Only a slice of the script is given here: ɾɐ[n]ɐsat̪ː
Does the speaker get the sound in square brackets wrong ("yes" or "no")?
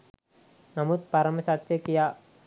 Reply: yes